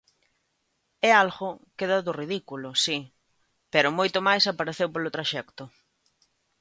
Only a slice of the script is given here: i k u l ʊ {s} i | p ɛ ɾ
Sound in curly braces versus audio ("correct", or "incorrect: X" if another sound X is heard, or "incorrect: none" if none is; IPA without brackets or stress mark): correct